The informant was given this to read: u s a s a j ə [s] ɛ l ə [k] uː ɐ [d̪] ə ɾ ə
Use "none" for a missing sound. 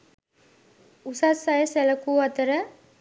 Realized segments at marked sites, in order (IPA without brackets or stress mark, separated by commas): s, k, t̪